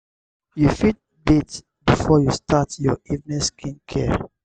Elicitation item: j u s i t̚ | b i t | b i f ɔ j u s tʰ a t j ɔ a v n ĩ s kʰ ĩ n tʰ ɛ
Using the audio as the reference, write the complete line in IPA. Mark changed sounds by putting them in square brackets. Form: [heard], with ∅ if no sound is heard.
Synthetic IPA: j u [f] i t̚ | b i t | b i f ɔ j u s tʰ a t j ɔ [i] v n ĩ s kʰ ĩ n [kʰ] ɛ